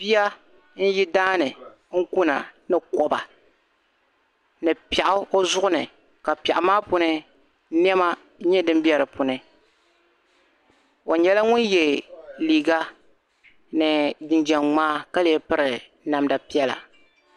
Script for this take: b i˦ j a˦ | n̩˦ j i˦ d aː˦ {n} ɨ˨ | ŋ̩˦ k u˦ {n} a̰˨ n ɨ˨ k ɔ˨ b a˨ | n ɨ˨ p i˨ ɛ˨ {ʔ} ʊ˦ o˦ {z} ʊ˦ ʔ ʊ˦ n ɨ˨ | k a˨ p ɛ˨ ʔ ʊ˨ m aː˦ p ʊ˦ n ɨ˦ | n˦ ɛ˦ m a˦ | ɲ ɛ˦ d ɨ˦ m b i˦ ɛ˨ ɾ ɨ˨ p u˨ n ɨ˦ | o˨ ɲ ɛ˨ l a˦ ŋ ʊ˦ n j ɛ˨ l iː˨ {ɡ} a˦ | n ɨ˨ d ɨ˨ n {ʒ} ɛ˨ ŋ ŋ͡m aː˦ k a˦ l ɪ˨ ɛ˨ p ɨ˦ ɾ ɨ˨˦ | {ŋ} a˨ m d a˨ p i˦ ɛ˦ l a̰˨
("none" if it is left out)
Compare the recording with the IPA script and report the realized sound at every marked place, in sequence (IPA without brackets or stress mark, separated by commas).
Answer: n, n, ʔ, z, ɡ, d͡ʒ, n